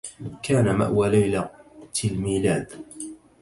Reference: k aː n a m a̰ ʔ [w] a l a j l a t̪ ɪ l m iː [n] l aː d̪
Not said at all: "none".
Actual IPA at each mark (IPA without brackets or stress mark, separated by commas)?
w, none